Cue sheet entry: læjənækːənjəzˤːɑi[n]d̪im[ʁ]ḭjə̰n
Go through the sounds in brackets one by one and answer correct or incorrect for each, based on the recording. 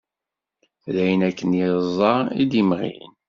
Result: incorrect, correct

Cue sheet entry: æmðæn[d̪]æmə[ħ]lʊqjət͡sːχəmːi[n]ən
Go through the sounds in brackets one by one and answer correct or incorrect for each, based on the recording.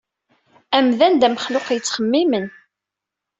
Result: correct, incorrect, incorrect

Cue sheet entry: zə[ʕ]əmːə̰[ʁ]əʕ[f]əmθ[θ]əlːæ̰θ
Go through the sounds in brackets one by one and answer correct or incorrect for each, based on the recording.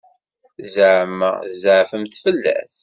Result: correct, incorrect, correct, incorrect

